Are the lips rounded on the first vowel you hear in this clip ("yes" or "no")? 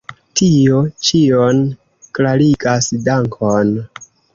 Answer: no